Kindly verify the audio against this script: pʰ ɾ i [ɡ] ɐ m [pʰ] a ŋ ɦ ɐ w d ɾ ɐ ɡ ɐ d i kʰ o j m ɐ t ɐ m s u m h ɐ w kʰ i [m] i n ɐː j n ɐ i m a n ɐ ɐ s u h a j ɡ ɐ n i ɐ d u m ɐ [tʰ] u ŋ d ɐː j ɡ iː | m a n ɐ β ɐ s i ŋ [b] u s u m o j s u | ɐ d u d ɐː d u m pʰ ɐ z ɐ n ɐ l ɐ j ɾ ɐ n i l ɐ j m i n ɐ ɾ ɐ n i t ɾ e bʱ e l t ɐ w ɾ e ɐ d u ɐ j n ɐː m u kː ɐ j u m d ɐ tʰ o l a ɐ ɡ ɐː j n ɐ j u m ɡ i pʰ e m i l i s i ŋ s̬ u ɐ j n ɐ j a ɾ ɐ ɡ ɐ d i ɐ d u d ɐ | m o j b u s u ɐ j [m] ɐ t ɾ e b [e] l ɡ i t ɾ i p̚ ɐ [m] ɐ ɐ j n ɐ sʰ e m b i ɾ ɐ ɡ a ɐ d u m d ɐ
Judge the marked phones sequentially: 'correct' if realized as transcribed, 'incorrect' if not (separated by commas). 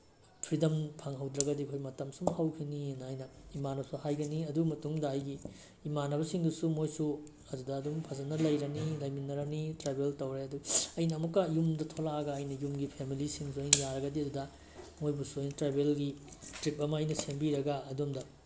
incorrect, correct, incorrect, incorrect, incorrect, incorrect, correct, correct